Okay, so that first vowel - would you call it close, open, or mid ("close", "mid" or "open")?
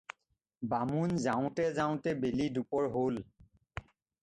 open